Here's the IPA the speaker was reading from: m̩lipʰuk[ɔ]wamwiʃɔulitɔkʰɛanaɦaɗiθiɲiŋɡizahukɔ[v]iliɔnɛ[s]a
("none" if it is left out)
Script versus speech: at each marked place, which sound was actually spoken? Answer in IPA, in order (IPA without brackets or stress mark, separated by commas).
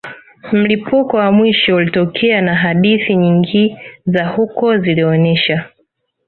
ɔ, z, ʃ